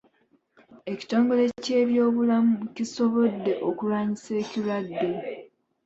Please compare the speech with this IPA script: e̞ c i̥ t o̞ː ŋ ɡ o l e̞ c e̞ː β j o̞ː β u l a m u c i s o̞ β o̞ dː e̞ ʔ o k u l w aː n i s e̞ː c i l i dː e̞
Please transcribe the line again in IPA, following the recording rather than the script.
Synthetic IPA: e̞ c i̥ t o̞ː ŋ ɡ o l e̞ c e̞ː β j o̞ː β u l a m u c i s o̞ β o̞ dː e̞ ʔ o k u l w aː ɲ i s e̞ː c i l a dː e̞